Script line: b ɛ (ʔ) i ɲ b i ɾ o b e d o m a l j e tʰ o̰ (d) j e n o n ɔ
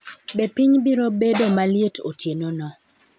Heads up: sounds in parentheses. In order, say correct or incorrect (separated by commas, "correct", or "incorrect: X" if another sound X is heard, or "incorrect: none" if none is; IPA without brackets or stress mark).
incorrect: p, incorrect: t